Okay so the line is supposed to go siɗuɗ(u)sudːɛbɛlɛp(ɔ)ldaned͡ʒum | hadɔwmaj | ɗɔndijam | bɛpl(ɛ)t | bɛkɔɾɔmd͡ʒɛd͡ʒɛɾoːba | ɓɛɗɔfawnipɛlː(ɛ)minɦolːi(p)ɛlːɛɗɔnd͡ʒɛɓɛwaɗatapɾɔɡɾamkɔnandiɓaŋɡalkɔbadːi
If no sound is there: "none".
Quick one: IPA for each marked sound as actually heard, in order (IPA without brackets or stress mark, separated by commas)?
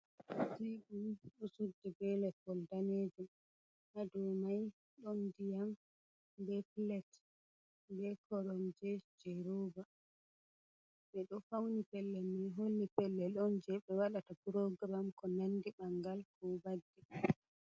u, ɔ, ɛ, ɛ, p